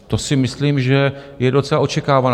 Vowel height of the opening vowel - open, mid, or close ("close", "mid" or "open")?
mid